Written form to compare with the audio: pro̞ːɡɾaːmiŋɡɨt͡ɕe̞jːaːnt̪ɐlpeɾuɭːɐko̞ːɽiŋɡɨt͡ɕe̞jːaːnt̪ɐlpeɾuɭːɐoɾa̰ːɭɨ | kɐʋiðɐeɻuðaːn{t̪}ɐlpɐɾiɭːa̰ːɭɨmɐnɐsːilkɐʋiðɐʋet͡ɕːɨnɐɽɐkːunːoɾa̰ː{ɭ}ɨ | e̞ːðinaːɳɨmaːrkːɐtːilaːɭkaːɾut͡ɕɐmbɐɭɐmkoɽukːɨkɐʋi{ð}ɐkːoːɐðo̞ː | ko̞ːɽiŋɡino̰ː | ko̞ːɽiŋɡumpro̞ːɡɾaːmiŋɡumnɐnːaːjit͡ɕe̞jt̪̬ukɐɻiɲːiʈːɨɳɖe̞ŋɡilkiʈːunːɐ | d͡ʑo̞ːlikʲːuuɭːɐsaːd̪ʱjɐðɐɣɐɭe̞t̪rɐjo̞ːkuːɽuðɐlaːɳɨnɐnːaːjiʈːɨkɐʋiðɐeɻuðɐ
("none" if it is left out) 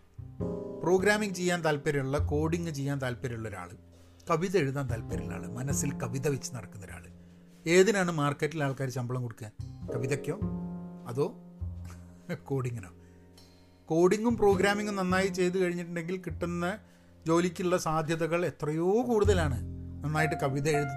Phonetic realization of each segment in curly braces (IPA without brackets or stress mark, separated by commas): t̪, ɭ, ð